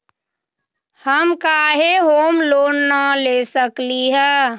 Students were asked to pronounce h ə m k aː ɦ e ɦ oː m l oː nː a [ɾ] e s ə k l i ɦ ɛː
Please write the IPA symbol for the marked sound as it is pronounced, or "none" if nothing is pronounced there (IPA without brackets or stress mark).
l